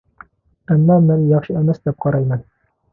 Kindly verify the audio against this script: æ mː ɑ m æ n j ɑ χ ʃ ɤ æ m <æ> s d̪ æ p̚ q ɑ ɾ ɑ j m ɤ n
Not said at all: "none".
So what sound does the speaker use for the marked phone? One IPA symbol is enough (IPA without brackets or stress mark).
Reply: æ